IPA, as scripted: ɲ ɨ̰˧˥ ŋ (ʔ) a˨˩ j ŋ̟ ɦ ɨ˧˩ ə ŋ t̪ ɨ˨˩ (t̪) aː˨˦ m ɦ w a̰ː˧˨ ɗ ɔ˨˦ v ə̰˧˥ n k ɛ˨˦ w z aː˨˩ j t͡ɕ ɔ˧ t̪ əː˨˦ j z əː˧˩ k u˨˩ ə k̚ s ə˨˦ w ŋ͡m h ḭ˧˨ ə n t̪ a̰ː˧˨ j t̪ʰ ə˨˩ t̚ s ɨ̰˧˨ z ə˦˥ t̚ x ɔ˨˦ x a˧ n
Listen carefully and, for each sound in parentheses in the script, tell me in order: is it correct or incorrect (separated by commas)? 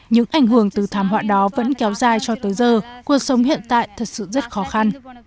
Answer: correct, incorrect